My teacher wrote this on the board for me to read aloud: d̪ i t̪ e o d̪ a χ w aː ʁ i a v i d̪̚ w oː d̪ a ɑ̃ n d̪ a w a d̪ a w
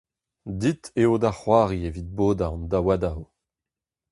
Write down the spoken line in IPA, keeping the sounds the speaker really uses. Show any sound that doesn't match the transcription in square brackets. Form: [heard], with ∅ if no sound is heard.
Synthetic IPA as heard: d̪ i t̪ e o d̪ a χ w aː ʁ i [e] v i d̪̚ [b] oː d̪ a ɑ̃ n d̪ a w a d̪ a w

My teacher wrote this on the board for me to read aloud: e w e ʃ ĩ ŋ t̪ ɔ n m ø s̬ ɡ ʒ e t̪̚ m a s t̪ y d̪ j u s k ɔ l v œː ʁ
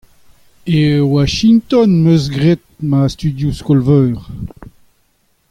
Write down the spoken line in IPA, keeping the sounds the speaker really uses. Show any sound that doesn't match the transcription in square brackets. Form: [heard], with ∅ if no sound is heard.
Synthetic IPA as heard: e w [a] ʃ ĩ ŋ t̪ ɔ n m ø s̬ ɡ [ʁ] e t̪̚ m a s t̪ y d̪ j u s k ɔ l v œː ʁ

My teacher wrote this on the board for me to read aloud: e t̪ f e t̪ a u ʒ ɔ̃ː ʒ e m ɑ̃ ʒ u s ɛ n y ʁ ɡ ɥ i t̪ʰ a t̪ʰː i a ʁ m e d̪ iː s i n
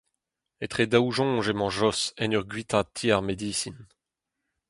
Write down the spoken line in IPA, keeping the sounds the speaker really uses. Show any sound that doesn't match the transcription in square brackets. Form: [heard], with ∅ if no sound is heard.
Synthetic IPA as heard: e t̪ [χ] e [d̪] a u ʒ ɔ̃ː ʒ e m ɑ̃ ʒ [ɔ] s ɛ n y ʁ ɡ ɥ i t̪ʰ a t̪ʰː i a ʁ m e d̪ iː s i n

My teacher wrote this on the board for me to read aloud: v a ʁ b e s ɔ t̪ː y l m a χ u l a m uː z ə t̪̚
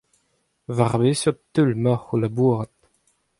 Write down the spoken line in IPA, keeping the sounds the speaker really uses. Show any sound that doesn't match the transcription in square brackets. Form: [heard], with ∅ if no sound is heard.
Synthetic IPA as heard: v a ʁ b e s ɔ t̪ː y l m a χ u l a [b] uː [ʁ] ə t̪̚

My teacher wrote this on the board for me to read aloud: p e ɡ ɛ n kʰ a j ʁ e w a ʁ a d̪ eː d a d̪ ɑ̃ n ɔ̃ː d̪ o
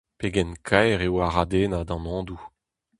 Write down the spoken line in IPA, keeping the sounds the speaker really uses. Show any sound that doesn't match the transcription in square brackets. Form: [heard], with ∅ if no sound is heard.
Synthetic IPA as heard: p e ɡ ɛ n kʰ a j ʁ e w a ʁ a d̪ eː [n] a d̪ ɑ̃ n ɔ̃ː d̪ [u]

